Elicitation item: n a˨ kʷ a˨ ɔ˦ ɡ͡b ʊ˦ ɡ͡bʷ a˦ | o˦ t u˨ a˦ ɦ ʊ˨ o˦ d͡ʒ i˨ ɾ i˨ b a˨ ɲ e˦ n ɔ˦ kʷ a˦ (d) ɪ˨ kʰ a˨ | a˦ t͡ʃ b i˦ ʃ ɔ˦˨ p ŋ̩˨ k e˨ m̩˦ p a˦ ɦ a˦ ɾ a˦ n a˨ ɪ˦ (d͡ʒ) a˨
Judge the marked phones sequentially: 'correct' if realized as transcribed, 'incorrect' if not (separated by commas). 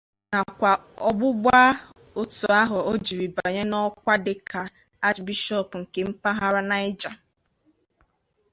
correct, correct